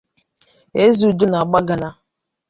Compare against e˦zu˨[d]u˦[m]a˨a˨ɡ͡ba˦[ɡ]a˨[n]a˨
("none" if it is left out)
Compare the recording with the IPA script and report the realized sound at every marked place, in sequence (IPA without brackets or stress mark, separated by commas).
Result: d, n, ɡ, n